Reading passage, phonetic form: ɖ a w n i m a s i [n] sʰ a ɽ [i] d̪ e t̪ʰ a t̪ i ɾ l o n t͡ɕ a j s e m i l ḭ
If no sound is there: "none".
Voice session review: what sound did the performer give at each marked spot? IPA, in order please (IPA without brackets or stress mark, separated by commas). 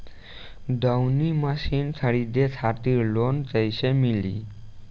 n, i